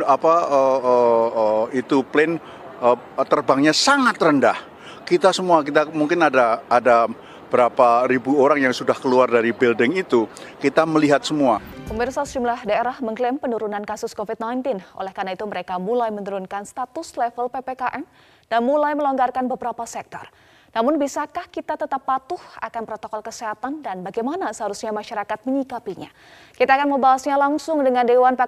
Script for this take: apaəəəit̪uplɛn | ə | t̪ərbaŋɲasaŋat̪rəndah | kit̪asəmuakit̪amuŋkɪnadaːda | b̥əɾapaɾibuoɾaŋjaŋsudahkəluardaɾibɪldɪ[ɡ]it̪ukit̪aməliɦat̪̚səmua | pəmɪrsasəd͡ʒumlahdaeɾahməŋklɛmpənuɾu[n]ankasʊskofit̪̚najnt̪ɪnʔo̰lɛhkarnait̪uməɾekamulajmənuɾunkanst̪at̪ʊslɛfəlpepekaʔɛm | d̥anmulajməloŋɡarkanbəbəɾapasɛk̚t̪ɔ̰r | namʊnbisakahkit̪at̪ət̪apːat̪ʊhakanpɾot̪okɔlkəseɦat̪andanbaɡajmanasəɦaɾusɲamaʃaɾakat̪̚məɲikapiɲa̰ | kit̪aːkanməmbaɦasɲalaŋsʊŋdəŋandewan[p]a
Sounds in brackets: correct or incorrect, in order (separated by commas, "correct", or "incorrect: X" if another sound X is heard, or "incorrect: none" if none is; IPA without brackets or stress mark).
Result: incorrect: ŋ, correct, correct